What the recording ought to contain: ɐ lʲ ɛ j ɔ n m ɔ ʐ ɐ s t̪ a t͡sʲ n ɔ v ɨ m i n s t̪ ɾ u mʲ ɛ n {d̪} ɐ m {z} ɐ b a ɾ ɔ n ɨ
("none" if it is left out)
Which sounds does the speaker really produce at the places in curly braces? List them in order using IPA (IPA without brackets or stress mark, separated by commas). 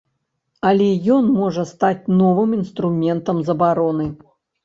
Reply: t̪, z